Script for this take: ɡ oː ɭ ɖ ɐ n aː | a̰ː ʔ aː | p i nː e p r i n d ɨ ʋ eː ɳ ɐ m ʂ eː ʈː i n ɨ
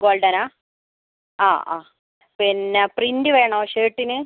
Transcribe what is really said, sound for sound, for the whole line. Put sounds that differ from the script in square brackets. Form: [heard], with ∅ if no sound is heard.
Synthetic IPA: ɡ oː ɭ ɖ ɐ n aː | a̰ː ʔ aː | p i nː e p r i n d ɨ ʋ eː ɳ ɐ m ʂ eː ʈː i n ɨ